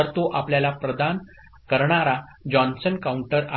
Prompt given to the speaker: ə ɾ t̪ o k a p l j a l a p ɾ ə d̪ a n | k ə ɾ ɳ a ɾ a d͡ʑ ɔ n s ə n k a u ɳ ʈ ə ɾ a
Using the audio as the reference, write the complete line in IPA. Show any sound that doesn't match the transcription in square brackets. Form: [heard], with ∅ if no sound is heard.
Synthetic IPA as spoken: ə ɾ t̪ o [ʔ] a p l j a l a p ɾ ə d̪ a n | k ə ɾ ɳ a ɾ a d͡ʑ ɔ n s ə n k a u ɳ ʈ ə ɾ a